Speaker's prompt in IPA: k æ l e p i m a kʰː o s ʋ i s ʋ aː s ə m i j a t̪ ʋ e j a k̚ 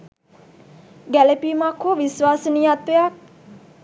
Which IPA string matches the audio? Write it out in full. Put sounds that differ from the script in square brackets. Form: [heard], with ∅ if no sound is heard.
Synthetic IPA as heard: [ɡ] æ l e p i m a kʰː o [∅] ʋ i s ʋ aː s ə [n] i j a t̪ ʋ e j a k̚